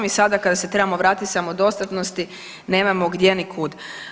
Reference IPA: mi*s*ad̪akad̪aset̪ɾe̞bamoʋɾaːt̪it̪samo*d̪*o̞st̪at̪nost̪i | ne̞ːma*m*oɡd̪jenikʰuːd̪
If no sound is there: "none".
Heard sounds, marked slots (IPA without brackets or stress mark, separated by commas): s, d̪, m